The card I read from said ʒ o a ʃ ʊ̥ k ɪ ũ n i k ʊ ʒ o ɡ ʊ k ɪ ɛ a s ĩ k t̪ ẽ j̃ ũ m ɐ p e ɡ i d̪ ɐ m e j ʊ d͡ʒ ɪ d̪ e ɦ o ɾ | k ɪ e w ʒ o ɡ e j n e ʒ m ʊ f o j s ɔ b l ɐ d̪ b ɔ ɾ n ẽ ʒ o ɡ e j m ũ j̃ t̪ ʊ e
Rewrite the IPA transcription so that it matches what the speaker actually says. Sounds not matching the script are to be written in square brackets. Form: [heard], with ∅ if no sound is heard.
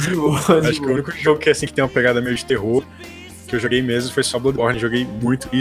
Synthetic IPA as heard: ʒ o a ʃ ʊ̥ k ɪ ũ n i k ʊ ʒ o ɡ ʊ k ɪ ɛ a s ĩ k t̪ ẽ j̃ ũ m ɐ p e ɡ [a] d̪ ɐ m e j ʊ d͡ʒ ɪ [t̪] e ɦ o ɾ | k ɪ e w ʒ o ɡ e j [m] e [z] m ʊ f o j s ɔ b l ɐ d̪ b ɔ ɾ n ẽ ʒ o ɡ e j m ũ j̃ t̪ ʊ [i]